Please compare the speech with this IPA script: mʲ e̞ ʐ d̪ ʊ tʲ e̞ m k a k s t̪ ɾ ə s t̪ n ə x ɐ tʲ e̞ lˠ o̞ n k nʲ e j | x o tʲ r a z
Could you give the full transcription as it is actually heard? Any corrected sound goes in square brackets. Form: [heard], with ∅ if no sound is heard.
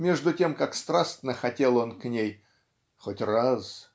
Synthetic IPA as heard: mʲ e̞ ʐ d̪ ʊ tʲ e̞ m k a k s t̪ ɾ [a] s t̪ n ə x ɐ tʲ e̞ lˠ o̞ n k nʲ e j | x o tʲ r a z